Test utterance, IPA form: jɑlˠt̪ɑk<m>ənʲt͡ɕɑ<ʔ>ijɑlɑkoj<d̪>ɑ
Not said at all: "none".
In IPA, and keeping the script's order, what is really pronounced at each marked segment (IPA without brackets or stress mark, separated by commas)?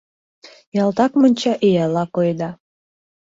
m, ʔ, d̪